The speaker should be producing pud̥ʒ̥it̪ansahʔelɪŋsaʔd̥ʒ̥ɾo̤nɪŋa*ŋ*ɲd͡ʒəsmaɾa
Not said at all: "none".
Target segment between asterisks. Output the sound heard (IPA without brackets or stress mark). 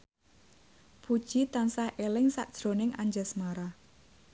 none